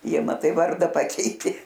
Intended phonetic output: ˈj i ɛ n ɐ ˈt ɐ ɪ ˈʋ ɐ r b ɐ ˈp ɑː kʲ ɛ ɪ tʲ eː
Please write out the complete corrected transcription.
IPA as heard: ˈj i ɛ m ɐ ˈt ɐ ɪ ˈʋ ɐ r d ɐ ˈp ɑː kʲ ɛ ɪ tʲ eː